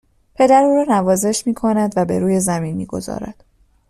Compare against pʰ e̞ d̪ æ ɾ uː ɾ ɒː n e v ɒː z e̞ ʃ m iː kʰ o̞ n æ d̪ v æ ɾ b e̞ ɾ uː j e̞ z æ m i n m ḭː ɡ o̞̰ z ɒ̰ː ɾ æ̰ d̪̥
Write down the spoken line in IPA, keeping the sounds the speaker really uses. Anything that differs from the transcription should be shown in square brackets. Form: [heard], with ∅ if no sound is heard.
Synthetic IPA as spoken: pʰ e̞ d̪ æ ɾ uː ɾ ɒː n [æ] v ɒː z e̞ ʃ m iː kʰ o̞ n æ d̪ v æ [∅] b e̞ ɾ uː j e̞ z æ m i n m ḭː ɡ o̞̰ z ɒ̰ː ɾ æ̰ d̪̥